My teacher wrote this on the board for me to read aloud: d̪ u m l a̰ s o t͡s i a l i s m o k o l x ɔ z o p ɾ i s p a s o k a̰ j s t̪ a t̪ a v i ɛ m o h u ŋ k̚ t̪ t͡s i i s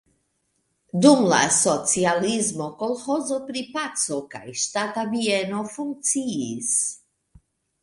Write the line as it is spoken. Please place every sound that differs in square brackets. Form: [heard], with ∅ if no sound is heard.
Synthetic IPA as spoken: d̪ u m l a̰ s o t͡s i a l i [z] m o k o l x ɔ z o p ɾ i [∅] p a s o k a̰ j [ʃ] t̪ a t̪ a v i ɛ [n] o [f] u ŋ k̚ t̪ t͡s i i s